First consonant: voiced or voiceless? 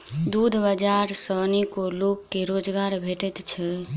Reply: voiced